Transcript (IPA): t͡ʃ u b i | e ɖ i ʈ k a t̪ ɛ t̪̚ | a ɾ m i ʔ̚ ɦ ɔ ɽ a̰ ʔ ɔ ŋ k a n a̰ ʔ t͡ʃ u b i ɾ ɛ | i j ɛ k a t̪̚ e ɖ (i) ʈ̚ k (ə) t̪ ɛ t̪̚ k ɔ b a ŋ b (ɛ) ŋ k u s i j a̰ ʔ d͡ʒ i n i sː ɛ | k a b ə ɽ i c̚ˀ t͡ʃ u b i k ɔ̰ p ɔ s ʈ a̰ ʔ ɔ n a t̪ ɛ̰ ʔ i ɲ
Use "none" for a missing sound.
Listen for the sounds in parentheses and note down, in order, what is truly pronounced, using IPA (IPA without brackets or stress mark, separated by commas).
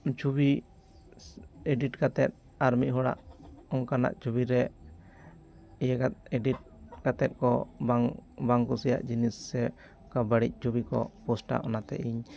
i, a, a